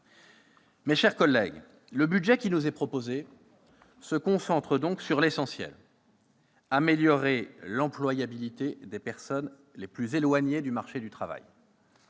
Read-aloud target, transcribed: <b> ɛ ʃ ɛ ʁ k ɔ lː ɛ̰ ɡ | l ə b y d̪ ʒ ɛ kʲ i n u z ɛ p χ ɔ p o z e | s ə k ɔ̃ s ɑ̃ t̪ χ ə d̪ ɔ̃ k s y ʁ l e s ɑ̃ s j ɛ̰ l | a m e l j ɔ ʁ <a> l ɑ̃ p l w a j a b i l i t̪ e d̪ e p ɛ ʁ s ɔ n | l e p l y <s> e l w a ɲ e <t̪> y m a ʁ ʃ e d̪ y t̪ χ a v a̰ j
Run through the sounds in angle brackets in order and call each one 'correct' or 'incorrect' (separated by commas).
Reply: incorrect, incorrect, incorrect, incorrect